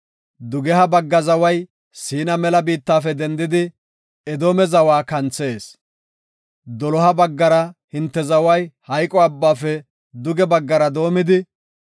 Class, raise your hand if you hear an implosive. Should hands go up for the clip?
no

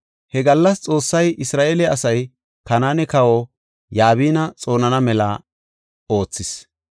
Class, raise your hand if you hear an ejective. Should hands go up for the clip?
yes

